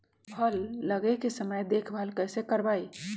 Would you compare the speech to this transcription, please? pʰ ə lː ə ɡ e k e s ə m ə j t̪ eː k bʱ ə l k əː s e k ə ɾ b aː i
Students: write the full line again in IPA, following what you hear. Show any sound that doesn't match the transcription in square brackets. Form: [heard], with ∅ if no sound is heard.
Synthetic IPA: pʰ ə lː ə ɡ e k e s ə m ə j [d̪] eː [kʰ] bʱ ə l k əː s e k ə ɾ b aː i